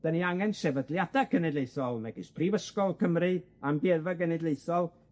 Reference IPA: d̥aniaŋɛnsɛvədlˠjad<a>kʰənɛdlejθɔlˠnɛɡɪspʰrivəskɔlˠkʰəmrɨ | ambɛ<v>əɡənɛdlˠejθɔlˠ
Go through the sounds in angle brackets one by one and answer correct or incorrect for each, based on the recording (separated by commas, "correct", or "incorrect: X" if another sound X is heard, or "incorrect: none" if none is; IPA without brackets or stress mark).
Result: correct, correct